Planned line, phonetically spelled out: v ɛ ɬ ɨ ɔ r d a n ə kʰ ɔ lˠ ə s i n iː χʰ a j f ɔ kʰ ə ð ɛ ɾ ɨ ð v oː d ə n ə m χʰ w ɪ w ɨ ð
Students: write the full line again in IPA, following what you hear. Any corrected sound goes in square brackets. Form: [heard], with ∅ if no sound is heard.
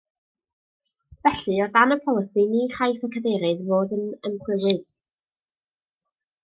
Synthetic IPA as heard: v ɛ ɬ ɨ ɔ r d a n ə [pʰ] ɔ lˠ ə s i n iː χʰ a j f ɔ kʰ ə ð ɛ ɾ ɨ ð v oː d ə n ə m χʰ w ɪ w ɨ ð